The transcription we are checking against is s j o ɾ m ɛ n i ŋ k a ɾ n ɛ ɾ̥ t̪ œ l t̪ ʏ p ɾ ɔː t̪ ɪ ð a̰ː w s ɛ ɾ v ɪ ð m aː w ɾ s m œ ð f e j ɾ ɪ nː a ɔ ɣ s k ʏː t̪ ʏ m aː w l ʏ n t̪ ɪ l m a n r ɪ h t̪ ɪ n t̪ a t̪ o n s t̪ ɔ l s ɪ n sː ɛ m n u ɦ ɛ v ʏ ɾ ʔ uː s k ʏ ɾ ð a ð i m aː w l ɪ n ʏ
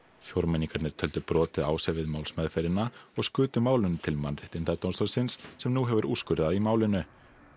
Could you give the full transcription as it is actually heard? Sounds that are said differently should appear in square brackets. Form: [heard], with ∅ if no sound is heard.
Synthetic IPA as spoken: [f] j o ɾ m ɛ n i ŋ k a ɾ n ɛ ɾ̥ [t̪ʰ] œ l t̪ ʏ p ɾ ɔː t̪ ɪ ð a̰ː w s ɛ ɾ v ɪ ð m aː w [l] s m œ ð f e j ɾ ɪ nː a ɔ ɣ s k ʏː t̪ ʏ m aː w l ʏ n [t̪ʰ] ɪ l m a n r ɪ h t̪ ɪ n t̪ a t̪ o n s t̪ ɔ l s ɪ n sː ɛ m n u ɦ ɛ v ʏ ɾ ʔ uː s k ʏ ɾ ð a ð i m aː w l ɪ n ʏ